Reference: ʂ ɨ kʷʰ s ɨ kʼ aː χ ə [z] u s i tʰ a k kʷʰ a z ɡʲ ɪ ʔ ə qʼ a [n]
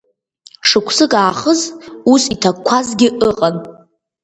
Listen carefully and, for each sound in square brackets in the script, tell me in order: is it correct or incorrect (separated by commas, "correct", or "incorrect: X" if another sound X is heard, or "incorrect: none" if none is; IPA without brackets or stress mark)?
correct, correct